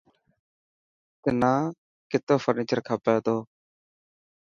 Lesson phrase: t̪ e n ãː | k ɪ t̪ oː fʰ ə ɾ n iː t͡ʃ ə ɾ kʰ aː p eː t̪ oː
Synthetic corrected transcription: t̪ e n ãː | k ɪ t̪ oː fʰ ə ɾ n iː t͡ʃ ə ɾ kʰ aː p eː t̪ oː

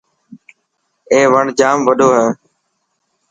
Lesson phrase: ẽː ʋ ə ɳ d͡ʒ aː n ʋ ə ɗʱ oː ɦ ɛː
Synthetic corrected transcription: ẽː ʋ ə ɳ d͡ʒ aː m ʋ ə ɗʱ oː ɦ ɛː

